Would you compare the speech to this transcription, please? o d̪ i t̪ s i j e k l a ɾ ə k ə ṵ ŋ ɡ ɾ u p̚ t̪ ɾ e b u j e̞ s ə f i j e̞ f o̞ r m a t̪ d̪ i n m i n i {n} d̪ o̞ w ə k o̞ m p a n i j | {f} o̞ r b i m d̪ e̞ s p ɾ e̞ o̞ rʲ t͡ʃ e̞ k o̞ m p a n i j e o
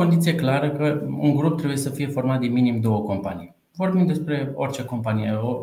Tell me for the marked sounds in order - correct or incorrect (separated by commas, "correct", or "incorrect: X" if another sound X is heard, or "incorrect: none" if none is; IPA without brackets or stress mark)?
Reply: incorrect: m, incorrect: v